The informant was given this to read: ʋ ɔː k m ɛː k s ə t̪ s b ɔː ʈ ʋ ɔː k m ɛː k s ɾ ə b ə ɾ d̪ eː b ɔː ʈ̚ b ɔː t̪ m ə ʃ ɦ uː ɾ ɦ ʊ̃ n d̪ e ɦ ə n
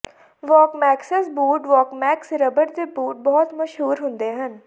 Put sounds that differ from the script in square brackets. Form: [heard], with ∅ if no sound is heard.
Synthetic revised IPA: ʋ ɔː k m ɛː k s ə [∅] s b [uː] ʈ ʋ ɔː k m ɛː k s ɾ ə b ə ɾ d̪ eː b [uː] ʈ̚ b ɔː t̪ m ə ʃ ɦ uː ɾ ɦ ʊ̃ n d̪ e ɦ ə n